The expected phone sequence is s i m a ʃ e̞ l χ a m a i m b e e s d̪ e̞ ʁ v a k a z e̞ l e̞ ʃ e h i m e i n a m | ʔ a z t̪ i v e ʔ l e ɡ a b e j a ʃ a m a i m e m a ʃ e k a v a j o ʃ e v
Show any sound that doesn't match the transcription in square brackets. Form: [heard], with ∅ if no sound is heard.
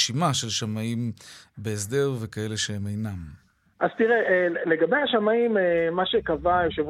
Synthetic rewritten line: [ʃ] i m a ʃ e̞ l [ʃ] a m a i m b e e s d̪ e̞ ʁ v [e] k a [∅] e̞ l e̞ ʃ e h [e] m e [j] n a m | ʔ a z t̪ i [ʁ] e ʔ l e ɡ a b e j a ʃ a m a i m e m a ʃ e k a v a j o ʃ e v